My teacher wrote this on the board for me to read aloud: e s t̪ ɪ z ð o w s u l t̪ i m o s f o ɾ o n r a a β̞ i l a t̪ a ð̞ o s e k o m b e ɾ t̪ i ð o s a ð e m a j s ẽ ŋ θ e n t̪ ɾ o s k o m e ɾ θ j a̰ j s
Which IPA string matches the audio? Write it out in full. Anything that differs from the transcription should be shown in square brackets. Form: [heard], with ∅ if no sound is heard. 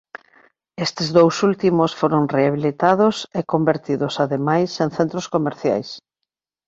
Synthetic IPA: e s t̪ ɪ z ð o w s u l t̪ i m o s f o ɾ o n r [e] a β̞ i l [i] t̪ a ð̞ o s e k o m b e ɾ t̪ i ð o s a ð e m a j s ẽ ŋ θ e n t̪ ɾ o s k o m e ɾ θ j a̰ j s